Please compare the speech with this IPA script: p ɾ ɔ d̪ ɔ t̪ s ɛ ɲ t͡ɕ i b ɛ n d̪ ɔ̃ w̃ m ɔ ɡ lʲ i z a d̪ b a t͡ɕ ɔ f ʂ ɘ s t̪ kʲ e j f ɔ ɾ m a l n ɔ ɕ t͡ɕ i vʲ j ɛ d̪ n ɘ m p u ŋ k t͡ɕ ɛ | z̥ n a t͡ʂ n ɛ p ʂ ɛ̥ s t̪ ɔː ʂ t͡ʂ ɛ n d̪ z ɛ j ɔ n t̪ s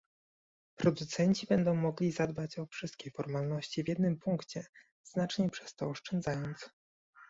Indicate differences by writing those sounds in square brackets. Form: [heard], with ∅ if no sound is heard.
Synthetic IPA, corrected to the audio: p ɾ ɔ d̪ [u] t̪ s ɛ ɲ t͡ɕ i b ɛ n d̪ ɔ̃ w̃ m ɔ ɡ lʲ i z a d̪ b a t͡ɕ ɔ f ʂ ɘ s t̪ kʲ e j f ɔ ɾ m a l n ɔ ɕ t͡ɕ i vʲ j ɛ d̪ n ɘ m p u ŋ k t͡ɕ ɛ | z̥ n a t͡ʂ [ɲ] ɛ p ʂ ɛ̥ s t̪ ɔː ʂ t͡ʂ ɛ n d̪ z [a] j ɔ n t̪ s